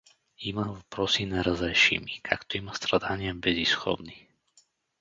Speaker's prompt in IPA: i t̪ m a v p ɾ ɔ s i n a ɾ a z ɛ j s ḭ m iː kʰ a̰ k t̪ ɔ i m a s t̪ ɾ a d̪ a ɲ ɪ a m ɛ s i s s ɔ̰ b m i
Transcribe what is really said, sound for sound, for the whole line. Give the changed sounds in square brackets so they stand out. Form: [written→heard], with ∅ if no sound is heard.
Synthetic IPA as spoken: i [t̪→∅] m a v p ɾ ɔ s i n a ɾ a z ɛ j [s→ʃ] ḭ m [iː→i] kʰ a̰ k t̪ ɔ i m a s t̪ ɾ a d̪ a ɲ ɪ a [m→b] ɛ [s→z] i s [s→x] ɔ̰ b [m→n] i